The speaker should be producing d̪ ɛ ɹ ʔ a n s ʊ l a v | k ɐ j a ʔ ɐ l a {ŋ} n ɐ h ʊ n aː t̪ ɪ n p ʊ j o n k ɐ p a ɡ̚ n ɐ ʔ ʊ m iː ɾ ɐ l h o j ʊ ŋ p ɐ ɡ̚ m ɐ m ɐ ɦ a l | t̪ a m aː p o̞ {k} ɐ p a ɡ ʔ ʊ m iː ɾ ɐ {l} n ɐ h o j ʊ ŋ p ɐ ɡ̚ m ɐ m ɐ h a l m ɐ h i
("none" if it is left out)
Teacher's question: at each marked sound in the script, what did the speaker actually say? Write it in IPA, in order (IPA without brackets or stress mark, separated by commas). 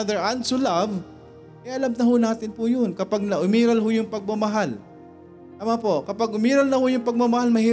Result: m, k, l